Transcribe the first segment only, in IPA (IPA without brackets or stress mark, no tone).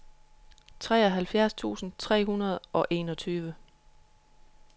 t͡sʰ